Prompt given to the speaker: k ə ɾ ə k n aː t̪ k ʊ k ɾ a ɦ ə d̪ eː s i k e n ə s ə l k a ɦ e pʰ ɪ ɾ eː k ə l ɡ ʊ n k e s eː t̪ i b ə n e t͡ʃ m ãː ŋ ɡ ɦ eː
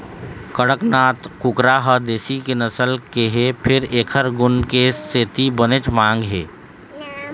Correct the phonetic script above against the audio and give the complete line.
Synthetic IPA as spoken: k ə ɽ ə k n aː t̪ k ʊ k ɾ a ɦ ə d̪ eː s i k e n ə s ə l k e ɦ e pʰ ɪ ɾ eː kʰ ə ɾ ɡ ʊ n k e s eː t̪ i b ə n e t͡ʃ m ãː ŋ ɡ ɦ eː